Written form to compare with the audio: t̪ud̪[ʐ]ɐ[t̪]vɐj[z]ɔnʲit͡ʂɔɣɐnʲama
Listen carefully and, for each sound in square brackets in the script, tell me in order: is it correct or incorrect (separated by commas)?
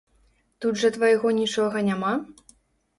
correct, correct, incorrect